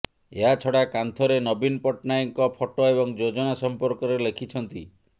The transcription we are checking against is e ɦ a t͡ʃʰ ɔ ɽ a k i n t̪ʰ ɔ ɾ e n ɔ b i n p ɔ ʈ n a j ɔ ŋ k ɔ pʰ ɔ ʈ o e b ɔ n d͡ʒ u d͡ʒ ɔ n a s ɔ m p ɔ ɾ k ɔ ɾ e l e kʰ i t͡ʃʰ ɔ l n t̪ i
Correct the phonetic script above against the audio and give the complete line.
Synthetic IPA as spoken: e ɦ a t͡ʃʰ ɔ ɽ a k a n t̪ʰ ɔ ɾ e n ɔ b i n p ɔ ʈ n a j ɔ ŋ k ɔ pʰ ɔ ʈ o e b ɔ ŋ d͡ʒ o d͡ʒ ɔ n a s ɔ m p ɔ ɾ k ɔ ɾ e l e kʰ i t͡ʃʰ ɔ n t̪ i